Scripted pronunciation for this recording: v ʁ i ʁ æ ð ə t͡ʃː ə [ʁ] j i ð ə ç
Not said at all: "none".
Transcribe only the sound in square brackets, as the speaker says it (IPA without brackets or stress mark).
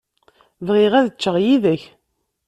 ʁ